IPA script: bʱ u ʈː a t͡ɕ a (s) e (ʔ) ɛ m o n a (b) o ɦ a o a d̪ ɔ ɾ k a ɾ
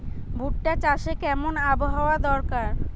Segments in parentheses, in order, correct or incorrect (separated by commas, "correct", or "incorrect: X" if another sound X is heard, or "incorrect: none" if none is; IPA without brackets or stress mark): incorrect: ʃ, incorrect: k, correct